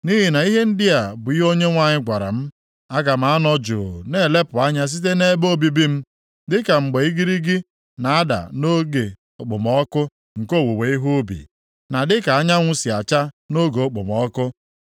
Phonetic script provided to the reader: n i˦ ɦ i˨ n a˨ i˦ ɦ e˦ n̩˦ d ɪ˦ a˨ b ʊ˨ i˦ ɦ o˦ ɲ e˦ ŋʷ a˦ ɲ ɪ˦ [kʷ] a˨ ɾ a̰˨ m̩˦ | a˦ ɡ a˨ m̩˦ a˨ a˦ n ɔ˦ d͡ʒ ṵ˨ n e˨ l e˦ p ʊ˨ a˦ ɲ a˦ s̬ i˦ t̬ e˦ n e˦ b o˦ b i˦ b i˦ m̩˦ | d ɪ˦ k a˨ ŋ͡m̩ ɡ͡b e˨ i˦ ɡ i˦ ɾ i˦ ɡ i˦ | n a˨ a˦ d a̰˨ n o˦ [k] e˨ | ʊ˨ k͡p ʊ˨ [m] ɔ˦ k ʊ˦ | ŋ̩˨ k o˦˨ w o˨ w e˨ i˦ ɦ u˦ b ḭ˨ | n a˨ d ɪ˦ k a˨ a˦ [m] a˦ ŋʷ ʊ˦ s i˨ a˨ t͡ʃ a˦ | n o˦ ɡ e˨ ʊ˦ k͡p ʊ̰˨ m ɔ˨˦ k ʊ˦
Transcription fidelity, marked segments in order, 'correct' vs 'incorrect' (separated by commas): incorrect, incorrect, correct, incorrect